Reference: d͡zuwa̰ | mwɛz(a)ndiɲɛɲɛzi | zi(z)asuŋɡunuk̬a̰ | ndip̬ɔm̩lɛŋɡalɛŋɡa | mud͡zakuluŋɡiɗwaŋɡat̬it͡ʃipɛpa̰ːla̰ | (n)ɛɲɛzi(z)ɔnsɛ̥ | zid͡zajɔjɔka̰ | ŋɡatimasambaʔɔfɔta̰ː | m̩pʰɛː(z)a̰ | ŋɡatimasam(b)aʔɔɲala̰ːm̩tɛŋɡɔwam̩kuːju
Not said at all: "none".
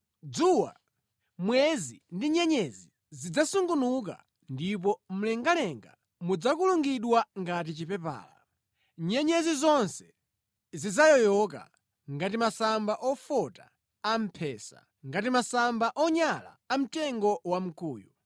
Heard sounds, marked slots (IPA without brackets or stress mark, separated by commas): i, d͡z, ɲ, z, s, b